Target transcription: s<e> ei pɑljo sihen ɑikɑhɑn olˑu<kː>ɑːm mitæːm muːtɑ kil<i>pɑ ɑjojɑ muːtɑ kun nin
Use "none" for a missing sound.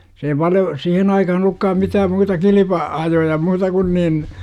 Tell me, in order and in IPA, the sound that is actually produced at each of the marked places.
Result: e, kː, i

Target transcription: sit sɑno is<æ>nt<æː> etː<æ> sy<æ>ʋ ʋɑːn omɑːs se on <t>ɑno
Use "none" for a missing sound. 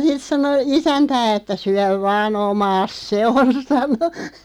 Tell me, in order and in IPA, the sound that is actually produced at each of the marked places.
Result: æ, æː, æ, æ, s

